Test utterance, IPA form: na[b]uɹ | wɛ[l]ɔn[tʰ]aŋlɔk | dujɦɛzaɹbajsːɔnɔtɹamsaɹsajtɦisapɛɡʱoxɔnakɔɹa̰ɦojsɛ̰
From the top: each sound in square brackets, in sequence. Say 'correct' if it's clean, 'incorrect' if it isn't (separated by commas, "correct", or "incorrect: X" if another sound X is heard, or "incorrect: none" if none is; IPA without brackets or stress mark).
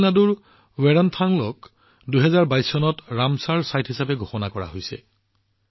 incorrect: d, incorrect: ɹ, correct